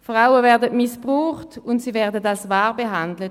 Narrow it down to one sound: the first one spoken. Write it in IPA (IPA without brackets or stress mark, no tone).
f